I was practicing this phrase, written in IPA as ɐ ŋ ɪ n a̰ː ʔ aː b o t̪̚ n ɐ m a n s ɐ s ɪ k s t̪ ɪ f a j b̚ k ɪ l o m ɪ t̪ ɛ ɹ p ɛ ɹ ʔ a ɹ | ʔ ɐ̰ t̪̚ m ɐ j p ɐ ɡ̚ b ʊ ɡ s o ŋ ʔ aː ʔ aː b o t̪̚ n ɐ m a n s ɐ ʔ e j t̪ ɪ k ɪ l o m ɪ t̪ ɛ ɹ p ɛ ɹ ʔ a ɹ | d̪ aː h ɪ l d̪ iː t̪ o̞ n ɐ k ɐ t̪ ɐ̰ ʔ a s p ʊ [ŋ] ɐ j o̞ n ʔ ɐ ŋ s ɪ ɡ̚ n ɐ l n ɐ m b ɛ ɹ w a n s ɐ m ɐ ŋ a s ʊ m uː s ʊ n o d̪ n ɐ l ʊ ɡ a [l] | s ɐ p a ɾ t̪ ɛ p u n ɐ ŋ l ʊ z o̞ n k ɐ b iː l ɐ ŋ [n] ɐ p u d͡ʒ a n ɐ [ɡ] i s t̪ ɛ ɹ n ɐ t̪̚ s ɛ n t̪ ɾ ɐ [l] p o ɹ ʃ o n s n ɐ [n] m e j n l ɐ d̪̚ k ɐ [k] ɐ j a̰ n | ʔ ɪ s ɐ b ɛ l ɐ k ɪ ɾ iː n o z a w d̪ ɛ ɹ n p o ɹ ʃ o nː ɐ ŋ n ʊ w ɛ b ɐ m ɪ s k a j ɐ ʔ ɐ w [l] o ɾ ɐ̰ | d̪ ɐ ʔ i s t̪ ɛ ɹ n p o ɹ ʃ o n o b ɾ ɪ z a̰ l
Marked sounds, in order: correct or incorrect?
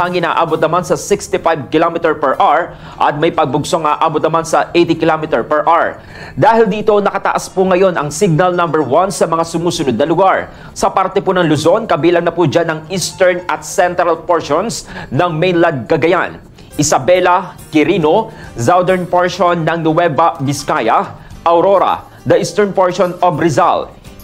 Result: correct, incorrect, correct, incorrect, correct, incorrect, incorrect, incorrect

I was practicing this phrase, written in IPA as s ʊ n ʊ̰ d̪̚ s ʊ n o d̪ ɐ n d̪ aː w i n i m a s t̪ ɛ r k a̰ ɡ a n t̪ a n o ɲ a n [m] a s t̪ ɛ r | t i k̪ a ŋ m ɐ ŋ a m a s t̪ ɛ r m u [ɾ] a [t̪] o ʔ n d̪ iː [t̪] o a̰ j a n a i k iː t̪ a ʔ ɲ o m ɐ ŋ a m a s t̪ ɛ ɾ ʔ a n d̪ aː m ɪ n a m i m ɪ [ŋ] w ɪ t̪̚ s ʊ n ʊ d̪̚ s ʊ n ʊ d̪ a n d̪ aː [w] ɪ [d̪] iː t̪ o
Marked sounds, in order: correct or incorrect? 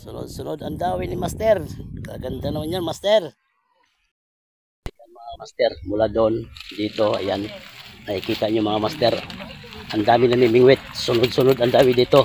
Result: correct, incorrect, incorrect, correct, correct, correct, correct

